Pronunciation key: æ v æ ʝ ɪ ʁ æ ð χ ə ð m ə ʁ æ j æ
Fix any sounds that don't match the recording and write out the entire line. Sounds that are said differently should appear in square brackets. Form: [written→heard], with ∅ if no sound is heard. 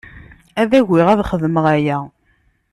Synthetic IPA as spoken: æ [v→ð] æ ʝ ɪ ʁ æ ð χ ə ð m ə ʁ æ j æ